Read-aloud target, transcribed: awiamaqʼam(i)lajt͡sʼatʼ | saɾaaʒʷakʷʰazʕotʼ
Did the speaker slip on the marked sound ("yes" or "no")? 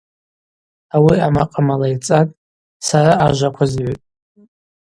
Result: yes